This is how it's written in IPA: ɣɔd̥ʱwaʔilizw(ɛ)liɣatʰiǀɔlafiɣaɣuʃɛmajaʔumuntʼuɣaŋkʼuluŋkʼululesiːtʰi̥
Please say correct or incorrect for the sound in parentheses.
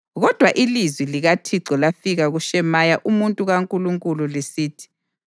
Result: incorrect